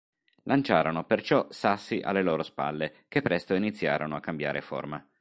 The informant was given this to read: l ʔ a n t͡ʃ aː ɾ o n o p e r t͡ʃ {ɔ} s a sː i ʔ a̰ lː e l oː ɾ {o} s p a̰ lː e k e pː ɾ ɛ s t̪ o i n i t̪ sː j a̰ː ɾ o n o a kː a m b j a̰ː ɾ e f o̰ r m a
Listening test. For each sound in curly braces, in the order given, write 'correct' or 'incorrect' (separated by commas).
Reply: correct, correct